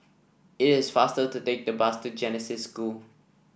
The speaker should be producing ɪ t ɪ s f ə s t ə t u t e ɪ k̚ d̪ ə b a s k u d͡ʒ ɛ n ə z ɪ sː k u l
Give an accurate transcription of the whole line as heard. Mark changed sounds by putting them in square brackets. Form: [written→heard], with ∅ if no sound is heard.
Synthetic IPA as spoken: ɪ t ɪ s f [ə→a] s t ə t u t e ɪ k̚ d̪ ə b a s [k→t] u d͡ʒ ɛ n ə [z→s] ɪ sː k u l